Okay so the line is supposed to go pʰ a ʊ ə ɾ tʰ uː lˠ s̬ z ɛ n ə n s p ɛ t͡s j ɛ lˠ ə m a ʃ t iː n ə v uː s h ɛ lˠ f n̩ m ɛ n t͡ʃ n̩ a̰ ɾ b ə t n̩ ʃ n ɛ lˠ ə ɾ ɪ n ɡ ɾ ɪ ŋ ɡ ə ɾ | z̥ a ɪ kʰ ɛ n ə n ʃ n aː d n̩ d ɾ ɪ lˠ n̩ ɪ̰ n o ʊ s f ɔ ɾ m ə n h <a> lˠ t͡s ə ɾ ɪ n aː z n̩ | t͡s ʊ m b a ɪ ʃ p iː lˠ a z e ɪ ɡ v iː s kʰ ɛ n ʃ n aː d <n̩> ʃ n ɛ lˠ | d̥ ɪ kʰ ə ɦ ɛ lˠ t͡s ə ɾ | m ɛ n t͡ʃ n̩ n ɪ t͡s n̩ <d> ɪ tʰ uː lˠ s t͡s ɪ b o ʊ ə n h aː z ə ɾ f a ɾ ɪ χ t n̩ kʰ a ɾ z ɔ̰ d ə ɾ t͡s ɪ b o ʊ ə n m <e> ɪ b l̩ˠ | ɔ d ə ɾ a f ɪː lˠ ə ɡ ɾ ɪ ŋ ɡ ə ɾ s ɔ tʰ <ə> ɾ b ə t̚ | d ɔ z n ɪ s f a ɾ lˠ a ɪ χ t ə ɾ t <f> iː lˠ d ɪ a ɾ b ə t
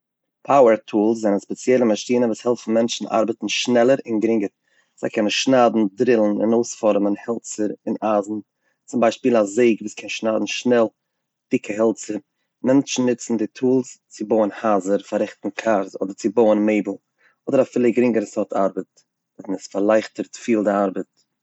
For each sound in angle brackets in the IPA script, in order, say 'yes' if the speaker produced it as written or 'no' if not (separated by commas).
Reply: no, yes, yes, yes, no, yes